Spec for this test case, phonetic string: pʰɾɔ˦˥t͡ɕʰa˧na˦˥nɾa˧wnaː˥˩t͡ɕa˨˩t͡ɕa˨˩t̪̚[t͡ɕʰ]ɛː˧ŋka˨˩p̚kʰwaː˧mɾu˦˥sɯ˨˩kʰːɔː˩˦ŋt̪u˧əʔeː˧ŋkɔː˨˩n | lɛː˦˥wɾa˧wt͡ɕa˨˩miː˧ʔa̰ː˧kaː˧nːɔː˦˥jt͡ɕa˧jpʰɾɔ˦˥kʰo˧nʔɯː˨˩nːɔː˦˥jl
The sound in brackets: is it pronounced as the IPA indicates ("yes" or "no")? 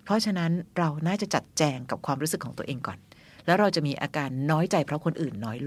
no